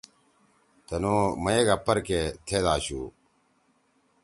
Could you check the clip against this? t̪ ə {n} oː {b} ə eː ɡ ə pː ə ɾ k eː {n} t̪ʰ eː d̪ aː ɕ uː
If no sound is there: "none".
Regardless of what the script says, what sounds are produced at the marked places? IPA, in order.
n, m, none

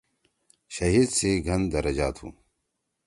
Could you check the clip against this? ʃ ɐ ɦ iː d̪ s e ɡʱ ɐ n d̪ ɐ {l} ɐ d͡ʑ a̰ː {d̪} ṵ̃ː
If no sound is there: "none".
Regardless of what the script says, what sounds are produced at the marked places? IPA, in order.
ɾ, t̪

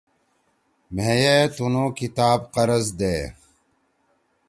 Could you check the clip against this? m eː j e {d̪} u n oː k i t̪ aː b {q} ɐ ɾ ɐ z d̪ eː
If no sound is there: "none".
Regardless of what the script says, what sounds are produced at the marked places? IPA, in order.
t̪, q

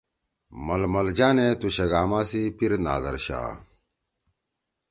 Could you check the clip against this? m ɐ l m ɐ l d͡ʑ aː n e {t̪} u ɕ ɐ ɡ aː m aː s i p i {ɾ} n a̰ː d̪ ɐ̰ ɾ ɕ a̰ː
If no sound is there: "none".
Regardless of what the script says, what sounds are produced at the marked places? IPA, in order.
t̪, ɾ

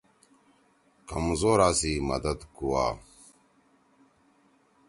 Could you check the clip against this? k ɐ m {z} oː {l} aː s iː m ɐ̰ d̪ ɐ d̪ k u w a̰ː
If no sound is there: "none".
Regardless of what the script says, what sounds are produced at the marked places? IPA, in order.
z, ɾ

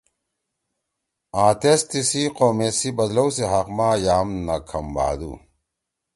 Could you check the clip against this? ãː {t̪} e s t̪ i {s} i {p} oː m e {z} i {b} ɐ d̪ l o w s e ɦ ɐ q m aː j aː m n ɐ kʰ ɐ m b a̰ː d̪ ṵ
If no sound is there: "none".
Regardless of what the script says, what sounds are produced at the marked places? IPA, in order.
t̪, s, q, s, b

